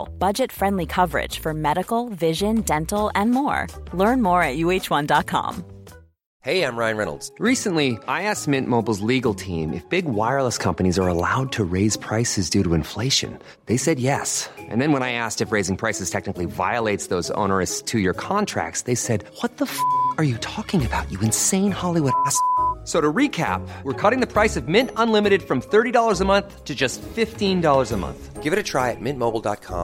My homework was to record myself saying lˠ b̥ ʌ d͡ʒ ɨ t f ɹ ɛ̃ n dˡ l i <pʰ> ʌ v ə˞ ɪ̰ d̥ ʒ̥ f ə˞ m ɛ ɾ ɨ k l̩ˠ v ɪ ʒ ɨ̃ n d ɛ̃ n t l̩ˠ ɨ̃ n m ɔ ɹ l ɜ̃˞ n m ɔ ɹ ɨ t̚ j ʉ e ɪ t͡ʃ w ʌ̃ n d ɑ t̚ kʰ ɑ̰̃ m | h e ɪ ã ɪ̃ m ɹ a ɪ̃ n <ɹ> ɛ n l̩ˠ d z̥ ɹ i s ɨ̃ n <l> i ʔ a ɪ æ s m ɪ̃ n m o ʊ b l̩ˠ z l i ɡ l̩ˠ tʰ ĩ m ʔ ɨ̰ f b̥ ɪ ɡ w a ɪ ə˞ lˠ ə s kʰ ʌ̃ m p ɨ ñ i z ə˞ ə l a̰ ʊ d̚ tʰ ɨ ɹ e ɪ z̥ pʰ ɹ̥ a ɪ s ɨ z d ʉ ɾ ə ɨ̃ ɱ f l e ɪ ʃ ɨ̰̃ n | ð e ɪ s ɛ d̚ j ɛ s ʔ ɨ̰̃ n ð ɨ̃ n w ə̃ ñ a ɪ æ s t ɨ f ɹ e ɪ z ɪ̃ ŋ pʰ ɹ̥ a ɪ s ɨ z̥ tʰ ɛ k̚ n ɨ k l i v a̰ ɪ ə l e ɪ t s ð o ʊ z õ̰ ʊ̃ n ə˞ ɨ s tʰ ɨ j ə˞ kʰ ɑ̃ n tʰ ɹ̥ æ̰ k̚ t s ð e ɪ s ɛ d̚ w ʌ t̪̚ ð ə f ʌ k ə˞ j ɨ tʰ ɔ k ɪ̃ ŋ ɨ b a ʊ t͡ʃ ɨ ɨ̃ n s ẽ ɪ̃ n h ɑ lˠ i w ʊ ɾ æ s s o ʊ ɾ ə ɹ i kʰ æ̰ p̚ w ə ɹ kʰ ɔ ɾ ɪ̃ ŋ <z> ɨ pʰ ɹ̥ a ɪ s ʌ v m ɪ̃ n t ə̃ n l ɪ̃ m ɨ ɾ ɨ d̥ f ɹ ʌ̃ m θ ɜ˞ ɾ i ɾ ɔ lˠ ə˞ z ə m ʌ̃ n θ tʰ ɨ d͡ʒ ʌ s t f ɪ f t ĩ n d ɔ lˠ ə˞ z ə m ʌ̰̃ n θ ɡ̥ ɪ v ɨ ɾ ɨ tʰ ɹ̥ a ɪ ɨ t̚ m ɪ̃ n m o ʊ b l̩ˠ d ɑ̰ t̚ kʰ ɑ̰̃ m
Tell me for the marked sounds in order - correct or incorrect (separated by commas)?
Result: incorrect, correct, correct, incorrect